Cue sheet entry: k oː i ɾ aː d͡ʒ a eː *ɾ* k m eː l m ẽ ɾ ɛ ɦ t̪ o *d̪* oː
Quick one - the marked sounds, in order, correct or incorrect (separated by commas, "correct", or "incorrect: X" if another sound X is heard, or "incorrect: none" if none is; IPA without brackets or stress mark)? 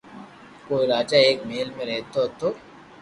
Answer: incorrect: none, incorrect: t̪